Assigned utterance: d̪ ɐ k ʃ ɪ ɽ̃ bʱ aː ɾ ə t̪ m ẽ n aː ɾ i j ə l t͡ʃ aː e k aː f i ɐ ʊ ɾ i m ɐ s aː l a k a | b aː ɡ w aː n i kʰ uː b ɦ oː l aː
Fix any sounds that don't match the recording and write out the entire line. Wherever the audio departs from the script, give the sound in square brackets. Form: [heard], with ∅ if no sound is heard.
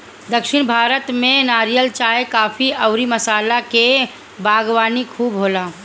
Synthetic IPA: d̪ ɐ k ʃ ɪ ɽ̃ bʱ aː ɾ ə t̪ m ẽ n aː ɾ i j ə l t͡ʃ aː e k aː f i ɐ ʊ ɾ i m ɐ s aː l a k [e] | b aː ɡ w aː n i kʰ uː b ɦ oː l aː